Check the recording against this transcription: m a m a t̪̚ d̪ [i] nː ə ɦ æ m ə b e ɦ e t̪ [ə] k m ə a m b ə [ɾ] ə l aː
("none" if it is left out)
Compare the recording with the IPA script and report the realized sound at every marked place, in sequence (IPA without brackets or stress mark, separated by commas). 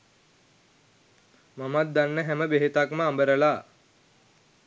a, a, ɾ